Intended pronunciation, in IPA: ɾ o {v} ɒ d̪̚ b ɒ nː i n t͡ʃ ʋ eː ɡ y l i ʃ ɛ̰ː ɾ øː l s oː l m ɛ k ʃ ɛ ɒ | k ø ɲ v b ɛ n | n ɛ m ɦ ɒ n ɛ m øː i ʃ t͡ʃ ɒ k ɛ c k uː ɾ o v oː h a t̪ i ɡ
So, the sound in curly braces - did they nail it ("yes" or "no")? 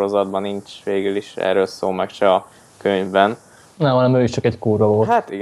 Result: no